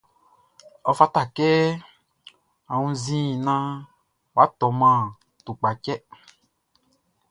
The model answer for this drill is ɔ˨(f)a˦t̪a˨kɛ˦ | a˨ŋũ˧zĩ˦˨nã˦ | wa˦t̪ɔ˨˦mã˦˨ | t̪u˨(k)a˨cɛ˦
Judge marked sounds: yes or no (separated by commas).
yes, no